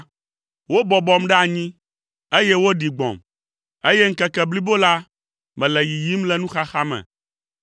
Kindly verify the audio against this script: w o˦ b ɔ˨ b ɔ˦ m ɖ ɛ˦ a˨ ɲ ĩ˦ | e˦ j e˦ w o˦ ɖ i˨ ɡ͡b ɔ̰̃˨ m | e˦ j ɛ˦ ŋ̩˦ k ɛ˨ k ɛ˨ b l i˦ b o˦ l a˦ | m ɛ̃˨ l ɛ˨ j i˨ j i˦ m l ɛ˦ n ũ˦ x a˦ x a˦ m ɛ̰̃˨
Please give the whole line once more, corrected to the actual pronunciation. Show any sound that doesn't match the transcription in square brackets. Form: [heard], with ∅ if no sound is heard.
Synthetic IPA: w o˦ b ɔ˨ b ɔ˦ m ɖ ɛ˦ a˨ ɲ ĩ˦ | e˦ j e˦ w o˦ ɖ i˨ ɡ͡b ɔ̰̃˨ m | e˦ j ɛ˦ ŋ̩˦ k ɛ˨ k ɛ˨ b l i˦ b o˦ l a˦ | m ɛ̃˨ l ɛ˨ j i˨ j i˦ m l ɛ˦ n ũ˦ x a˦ x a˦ m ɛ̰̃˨